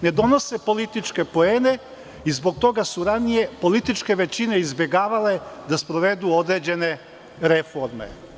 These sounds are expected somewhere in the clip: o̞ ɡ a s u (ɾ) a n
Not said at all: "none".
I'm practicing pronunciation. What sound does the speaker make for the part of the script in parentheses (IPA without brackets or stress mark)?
ɾ